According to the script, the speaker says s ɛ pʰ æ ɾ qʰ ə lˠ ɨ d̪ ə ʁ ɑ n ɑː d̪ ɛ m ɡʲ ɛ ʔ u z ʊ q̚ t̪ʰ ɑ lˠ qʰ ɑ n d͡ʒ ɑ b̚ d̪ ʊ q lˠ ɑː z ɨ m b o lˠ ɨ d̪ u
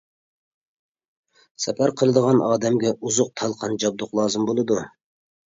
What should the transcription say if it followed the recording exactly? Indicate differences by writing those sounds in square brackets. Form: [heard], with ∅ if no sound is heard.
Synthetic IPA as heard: s ɛ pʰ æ ɾ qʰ ə lˠ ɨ d̪ ə ʁ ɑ n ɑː d̪ ɛ m ɡʲ ɛ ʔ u z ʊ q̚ t̪ʰ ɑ lˠ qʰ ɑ n d͡ʒ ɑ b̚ d̪ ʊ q lˠ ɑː z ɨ m b o lˠ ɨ d̪ u